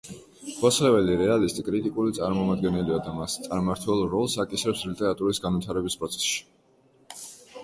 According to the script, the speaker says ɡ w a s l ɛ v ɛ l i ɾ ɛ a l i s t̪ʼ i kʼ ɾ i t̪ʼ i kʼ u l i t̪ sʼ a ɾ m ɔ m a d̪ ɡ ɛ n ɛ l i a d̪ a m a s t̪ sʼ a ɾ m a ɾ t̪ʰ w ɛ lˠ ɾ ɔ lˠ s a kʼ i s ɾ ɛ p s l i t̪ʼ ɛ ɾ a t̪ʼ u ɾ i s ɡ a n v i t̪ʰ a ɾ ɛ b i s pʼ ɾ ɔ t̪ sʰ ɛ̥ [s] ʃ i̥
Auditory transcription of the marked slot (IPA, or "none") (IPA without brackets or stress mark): s